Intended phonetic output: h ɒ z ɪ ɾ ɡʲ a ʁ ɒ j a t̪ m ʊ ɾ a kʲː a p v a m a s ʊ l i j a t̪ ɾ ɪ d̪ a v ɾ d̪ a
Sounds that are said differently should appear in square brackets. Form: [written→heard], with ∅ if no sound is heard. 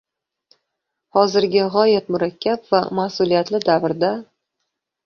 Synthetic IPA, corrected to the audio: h ɒ z ɪ ɾ ɡʲ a ʁ ɒ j a t̪ m ʊ ɾ a kʲː a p v a m a s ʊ l i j a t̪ [ɾ→l] ɪ d̪ a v ɾ d̪ a